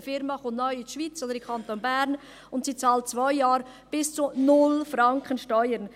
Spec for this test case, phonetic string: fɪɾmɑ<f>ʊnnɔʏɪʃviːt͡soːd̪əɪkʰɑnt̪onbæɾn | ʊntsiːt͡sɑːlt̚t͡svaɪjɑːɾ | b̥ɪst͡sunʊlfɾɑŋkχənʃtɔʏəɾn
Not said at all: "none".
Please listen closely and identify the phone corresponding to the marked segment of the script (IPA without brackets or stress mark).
χ